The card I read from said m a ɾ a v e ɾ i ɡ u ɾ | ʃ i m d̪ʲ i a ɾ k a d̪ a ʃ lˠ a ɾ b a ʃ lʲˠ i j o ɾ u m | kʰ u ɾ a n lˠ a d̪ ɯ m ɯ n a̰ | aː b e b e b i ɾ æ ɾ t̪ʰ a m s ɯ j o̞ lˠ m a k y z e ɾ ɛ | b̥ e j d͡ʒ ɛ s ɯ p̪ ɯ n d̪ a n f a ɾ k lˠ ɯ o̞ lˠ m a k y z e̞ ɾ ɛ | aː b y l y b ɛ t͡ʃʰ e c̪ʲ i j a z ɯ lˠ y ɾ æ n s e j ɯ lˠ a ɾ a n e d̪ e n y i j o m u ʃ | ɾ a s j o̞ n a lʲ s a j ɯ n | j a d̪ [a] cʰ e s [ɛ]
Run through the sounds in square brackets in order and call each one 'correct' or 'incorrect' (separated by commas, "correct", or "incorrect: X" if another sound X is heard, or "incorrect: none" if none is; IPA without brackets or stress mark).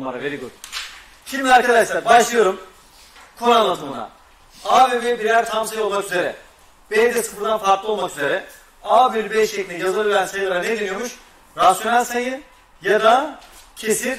correct, incorrect: i